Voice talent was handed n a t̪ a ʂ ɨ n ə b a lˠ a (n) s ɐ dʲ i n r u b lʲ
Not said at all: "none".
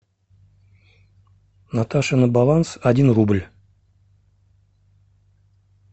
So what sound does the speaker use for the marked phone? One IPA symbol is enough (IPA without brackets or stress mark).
n